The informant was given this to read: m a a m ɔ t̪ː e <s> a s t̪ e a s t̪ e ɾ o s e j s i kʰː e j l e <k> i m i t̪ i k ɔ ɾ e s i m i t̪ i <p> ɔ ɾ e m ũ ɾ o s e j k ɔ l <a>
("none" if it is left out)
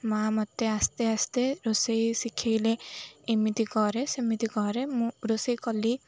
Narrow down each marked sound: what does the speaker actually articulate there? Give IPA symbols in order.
none, none, k, i

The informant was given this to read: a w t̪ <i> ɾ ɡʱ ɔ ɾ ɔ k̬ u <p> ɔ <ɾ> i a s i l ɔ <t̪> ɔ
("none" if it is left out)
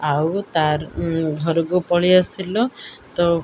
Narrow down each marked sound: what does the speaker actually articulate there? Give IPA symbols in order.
a, p, ɭ, t̪

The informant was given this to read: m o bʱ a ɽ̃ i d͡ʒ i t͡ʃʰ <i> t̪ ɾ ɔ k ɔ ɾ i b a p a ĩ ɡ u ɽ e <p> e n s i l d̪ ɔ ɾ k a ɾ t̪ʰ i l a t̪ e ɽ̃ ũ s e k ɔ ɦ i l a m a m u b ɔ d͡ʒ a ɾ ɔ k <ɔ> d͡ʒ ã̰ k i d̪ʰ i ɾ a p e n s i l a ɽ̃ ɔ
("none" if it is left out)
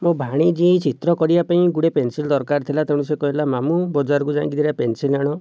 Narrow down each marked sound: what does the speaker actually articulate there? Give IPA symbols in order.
i, p, u

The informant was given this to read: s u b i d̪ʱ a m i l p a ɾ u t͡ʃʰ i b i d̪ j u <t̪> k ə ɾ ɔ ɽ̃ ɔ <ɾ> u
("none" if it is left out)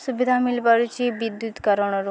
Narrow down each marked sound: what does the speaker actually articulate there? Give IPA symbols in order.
t̪, ɾ

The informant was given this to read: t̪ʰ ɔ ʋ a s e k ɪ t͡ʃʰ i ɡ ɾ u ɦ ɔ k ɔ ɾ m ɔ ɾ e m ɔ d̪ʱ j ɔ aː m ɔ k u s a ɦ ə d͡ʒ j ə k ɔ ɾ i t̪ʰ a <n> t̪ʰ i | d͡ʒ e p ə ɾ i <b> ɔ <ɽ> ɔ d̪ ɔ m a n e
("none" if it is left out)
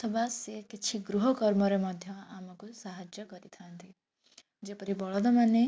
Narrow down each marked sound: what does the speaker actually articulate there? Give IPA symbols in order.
n, b, ɭ

